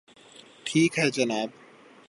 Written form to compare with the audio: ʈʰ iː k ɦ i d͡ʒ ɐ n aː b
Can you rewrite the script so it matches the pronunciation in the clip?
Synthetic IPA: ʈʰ iː k ɦ ɛ d͡ʒ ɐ n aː b